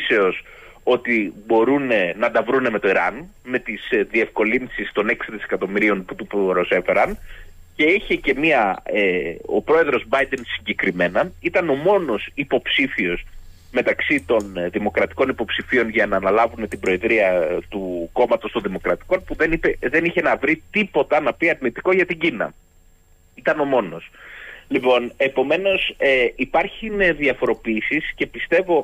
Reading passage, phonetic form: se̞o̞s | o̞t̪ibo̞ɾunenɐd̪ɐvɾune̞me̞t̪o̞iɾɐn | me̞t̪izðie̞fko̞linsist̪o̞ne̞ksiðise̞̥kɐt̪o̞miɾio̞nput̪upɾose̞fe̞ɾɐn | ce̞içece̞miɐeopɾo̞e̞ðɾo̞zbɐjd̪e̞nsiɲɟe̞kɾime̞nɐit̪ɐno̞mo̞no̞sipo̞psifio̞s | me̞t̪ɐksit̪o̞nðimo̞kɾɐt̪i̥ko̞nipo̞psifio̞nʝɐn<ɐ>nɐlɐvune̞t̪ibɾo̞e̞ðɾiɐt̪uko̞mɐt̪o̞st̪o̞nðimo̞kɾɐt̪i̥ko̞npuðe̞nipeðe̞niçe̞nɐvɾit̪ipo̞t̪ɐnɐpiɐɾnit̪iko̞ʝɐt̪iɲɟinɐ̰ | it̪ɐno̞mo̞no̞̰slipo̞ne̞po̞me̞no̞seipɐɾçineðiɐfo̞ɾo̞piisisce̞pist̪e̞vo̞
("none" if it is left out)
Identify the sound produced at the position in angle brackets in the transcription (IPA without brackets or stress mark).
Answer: ɐː